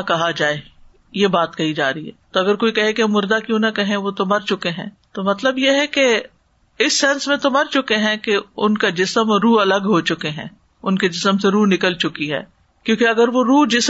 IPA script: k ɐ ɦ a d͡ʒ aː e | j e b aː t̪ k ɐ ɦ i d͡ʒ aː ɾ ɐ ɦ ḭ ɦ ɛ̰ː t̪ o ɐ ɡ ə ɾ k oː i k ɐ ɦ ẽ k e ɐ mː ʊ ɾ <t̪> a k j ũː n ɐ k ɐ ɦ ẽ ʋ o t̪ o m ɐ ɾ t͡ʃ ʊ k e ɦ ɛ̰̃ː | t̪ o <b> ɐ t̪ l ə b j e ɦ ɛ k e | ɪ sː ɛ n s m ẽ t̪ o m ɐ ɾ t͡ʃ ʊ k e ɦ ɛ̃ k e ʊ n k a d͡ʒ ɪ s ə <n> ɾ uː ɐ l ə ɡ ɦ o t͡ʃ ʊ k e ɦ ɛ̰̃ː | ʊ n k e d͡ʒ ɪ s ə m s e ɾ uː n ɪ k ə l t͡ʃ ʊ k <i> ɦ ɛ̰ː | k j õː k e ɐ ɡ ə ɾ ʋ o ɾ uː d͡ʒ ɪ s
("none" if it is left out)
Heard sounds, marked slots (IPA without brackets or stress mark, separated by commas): d̪, m, m, i